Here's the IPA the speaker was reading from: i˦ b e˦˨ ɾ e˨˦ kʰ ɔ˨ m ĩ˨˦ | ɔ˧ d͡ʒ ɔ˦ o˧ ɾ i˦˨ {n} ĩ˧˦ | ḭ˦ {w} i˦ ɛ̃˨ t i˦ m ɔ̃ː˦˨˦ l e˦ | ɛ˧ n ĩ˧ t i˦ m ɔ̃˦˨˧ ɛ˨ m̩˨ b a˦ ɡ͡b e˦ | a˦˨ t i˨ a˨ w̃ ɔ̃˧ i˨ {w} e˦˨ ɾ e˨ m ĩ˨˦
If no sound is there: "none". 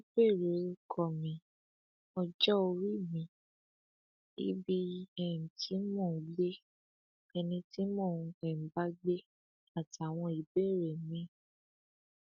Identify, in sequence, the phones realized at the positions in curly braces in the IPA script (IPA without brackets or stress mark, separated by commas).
m, b, b